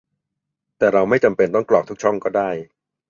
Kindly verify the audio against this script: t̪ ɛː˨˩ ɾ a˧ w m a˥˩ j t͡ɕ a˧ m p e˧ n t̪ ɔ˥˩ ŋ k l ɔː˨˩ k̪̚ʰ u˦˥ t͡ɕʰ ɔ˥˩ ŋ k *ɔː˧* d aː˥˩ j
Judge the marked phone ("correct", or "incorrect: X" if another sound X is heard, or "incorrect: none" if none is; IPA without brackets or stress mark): incorrect: ɔː˥˩